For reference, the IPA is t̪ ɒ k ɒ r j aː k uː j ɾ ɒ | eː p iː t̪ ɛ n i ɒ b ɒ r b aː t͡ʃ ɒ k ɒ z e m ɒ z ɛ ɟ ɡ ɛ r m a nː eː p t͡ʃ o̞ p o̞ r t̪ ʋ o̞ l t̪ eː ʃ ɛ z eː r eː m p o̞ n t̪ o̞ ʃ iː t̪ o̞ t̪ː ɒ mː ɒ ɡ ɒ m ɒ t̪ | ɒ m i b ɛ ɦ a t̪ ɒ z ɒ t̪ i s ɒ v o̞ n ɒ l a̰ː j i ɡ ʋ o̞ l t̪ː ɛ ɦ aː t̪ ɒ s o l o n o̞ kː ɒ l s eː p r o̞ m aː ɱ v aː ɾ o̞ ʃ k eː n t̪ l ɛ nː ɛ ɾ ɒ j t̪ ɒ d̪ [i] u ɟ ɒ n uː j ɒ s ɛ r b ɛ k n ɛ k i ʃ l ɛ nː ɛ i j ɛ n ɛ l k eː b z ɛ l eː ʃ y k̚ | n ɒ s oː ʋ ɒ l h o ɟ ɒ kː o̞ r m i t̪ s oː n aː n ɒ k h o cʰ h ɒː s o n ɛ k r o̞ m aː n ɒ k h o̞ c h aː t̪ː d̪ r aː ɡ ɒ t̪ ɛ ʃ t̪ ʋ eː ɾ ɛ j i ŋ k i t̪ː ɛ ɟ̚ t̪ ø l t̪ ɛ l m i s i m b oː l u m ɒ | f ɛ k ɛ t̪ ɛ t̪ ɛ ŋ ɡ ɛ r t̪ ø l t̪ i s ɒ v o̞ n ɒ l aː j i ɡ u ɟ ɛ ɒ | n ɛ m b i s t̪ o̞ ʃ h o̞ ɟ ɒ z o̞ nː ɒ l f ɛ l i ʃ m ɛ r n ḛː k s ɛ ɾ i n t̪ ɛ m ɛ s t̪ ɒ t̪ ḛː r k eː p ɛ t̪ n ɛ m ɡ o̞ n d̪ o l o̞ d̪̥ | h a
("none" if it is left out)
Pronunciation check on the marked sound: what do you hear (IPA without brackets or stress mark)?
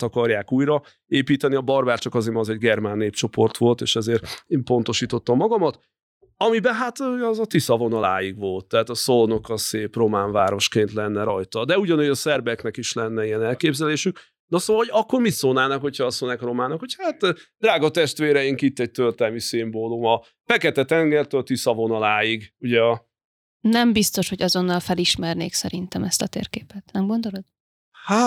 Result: ɛ